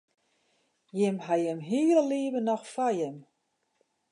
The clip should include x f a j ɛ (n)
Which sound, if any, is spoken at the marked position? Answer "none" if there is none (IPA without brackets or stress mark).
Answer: m